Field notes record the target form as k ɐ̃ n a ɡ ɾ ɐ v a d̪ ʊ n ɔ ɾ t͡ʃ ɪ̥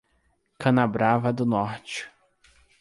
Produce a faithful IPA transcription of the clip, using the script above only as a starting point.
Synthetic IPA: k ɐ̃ n a b ɾ a v ɐ d̪ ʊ n ɔ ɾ t͡ʃ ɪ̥